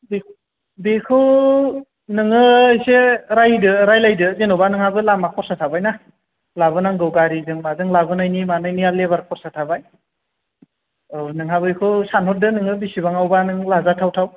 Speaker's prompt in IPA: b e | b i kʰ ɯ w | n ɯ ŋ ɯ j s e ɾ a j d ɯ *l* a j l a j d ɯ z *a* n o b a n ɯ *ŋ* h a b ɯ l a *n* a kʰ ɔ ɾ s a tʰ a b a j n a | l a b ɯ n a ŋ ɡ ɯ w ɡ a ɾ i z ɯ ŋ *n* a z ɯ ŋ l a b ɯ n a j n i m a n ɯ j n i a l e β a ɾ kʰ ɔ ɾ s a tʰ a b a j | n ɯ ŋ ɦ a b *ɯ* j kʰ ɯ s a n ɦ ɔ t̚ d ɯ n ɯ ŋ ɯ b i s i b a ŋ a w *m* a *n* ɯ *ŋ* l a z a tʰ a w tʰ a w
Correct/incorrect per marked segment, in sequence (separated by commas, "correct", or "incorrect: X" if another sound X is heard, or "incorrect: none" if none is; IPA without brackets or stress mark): incorrect: ɾ, incorrect: e, correct, incorrect: m, incorrect: m, correct, incorrect: b, correct, correct